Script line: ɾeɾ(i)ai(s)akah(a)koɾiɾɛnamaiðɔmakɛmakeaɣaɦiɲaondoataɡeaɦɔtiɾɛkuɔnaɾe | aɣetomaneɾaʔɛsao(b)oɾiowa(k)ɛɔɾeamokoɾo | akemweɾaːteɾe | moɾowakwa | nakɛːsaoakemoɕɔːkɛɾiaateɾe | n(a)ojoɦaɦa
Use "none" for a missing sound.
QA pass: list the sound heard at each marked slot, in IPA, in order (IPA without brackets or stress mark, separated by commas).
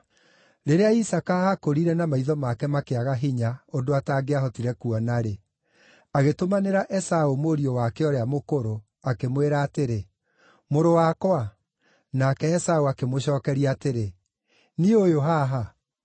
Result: e, s, a, m, k, i